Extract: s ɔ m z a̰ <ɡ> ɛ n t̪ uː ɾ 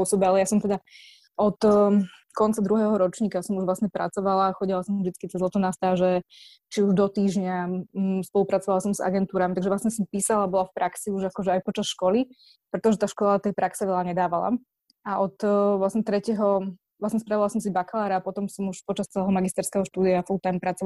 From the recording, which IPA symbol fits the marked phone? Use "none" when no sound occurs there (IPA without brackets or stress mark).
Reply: ɡ